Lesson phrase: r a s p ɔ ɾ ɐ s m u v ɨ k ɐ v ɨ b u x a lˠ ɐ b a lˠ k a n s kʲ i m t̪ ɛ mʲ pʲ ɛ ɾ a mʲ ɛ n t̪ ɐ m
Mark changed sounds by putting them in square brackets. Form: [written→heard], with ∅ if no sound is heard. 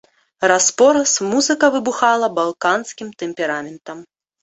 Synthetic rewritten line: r a s p ɔ ɾ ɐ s m u [v→z] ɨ k ɐ v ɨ b u x a lˠ ɐ b a lˠ k a n s kʲ i m t̪ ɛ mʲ pʲ ɛ ɾ a mʲ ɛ n t̪ ɐ m

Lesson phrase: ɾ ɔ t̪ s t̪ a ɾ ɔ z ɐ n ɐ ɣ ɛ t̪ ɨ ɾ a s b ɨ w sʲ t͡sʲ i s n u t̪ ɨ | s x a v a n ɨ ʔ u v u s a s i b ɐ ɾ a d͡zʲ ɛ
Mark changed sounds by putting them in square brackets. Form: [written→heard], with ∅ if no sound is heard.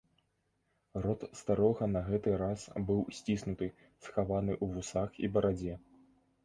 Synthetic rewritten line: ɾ ɔ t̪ s t̪ a ɾ ɔ [z→ɣ] ɐ n ɐ ɣ ɛ t̪ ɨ ɾ a s b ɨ w sʲ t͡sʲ i s n u t̪ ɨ | s x a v a n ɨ ʔ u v u s a [s→x] i b ɐ ɾ a d͡zʲ ɛ

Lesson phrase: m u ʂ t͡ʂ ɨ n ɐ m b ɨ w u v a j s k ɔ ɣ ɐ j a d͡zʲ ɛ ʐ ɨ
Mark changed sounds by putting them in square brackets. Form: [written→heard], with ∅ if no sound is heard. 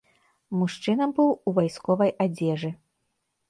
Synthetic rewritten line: m u ʂ t͡ʂ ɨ n ɐ m b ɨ w u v a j s k ɔ [ɣ→v] ɐ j a d͡zʲ ɛ ʐ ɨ

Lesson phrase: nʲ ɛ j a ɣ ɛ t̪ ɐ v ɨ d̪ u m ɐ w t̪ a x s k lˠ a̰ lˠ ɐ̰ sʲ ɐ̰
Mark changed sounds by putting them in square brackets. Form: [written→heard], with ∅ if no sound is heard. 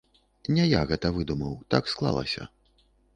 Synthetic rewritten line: nʲ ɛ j a ɣ ɛ t̪ ɐ v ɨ d̪ u m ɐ w t̪ a [x→k] s k lˠ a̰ lˠ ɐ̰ sʲ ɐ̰

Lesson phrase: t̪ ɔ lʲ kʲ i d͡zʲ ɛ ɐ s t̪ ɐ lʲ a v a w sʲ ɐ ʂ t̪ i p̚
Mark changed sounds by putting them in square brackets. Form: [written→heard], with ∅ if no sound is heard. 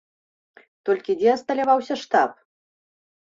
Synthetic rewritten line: t̪ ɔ lʲ kʲ i d͡zʲ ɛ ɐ s t̪ ɐ lʲ a v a w sʲ ɐ ʂ t̪ [i→a] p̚

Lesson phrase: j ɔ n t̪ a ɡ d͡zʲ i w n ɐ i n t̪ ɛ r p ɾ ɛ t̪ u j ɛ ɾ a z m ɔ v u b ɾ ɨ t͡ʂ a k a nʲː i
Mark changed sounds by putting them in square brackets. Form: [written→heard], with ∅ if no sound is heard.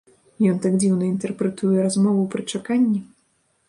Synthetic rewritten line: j ɔ n t̪ a ɡ d͡zʲ i w n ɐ i n t̪ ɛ r p ɾ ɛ t̪ u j ɛ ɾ a z m ɔ v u [b→p] ɾ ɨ t͡ʂ a k a nʲː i

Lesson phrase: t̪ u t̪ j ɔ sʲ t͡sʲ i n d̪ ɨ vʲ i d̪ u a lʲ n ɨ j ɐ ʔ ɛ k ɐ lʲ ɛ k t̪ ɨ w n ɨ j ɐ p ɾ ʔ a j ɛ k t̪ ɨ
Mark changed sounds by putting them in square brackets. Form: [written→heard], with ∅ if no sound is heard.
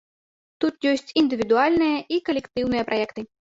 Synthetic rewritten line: t̪ u t̪ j ɔ sʲ t͡sʲ i n d̪ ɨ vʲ i d̪ u a lʲ n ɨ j ɐ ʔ [ɛ→i] k ɐ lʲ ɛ k t̪ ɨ w n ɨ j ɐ p ɾ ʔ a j ɛ k t̪ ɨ

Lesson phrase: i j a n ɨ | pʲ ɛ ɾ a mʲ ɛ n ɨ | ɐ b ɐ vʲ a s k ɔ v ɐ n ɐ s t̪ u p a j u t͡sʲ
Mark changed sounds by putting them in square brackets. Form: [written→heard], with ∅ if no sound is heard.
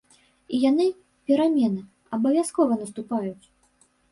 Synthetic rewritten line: i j a n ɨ | pʲ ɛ ɾ a mʲ ɛ n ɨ | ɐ b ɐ vʲ a s k ɔ v ɐ n ɐ s t̪ u p a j u t͡sʲ

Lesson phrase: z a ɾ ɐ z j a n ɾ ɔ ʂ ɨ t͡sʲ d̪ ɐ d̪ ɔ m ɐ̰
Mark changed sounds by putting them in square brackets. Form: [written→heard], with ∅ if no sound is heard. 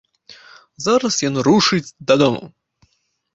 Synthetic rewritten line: z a ɾ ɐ [z→s] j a n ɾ [ɔ→u] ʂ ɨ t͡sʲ d̪ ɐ d̪ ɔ m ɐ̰

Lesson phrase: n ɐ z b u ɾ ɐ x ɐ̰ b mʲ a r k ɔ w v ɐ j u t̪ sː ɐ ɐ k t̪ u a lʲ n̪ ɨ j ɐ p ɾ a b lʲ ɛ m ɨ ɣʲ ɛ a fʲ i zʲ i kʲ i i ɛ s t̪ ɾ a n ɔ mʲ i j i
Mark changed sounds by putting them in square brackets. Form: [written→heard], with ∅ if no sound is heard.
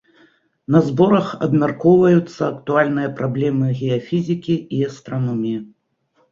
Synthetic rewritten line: n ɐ z b [u→ɔ] ɾ ɐ x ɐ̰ b mʲ a r k ɔ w v ɐ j u t̪ sː ɐ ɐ k t̪ u a lʲ n̪ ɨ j ɐ p ɾ a b lʲ ɛ m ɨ ɣʲ ɛ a fʲ i zʲ i kʲ i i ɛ s t̪ ɾ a n ɔ mʲ i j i

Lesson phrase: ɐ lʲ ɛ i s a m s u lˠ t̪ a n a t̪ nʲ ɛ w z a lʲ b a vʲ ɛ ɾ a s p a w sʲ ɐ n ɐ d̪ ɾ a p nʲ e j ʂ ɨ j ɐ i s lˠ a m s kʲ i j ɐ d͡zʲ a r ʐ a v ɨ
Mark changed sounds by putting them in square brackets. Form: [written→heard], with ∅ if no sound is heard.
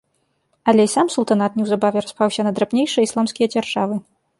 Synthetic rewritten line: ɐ lʲ ɛ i s a m s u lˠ t̪ a n a t̪ nʲ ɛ w z a [lʲ→∅] b a vʲ ɛ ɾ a s p a w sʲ ɐ n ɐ d̪ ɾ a p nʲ e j ʂ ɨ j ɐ i s lˠ a m s kʲ i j ɐ d͡zʲ a r ʐ a v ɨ

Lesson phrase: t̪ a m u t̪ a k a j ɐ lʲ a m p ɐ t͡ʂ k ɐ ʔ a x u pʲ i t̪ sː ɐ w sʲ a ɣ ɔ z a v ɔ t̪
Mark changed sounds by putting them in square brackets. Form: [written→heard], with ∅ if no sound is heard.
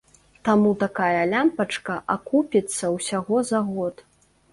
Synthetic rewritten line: t̪ a m u t̪ a k a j ɐ lʲ a m p ɐ t͡ʂ k ɐ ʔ a [x→k] u pʲ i t̪ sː ɐ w sʲ a ɣ ɔ z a [v→ɣ] ɔ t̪

